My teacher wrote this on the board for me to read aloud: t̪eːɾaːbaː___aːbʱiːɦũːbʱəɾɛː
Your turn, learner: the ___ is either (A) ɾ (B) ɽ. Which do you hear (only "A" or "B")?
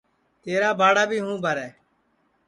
B